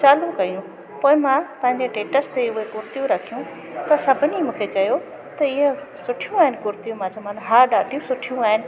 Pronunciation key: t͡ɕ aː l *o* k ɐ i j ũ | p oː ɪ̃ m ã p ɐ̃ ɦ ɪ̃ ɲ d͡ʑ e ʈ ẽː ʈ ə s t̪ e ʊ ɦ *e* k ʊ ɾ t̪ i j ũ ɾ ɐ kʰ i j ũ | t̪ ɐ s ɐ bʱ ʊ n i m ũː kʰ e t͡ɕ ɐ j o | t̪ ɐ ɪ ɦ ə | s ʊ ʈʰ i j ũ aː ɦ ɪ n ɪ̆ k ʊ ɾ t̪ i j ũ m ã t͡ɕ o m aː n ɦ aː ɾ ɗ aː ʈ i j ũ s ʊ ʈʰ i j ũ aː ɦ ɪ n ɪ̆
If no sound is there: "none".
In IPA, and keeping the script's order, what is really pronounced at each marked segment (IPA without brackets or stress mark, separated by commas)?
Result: u, e